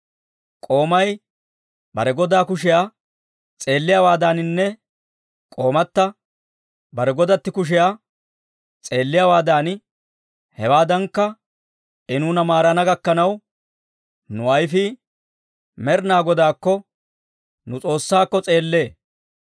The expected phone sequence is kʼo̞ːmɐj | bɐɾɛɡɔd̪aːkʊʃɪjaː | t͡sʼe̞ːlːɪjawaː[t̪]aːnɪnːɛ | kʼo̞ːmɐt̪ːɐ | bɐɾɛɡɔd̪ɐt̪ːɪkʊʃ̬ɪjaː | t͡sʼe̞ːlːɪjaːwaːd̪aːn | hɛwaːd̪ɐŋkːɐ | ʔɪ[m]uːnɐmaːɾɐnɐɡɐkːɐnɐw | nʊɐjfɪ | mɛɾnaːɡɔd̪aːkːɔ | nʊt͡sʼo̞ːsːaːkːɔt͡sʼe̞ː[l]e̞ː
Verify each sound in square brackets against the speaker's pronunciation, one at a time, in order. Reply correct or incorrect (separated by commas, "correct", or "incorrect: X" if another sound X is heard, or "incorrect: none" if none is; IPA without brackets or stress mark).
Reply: incorrect: d̪, incorrect: n, incorrect: lː